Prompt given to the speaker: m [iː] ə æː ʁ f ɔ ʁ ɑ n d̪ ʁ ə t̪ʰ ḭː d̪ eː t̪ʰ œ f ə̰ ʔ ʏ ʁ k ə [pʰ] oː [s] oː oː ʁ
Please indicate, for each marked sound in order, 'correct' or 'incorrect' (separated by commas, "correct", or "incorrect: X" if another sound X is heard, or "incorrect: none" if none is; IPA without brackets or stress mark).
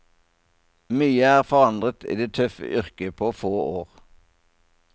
incorrect: yː, correct, incorrect: f